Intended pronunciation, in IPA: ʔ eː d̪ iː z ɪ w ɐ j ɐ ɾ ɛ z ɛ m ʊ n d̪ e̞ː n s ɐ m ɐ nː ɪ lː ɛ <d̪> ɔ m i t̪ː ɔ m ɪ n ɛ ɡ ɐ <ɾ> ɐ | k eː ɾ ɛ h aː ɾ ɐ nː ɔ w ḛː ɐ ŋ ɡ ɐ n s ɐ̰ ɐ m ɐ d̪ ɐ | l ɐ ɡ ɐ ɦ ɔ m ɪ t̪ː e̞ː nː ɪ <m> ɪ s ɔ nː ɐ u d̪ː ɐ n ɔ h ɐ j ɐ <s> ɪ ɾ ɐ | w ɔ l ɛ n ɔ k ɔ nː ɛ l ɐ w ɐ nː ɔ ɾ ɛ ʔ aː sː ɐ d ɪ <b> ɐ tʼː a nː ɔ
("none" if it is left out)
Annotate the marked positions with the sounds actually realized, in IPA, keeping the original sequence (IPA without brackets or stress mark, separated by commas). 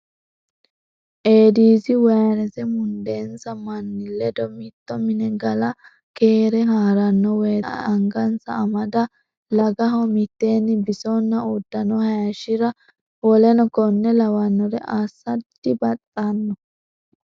d̪, l, b, ʃ, b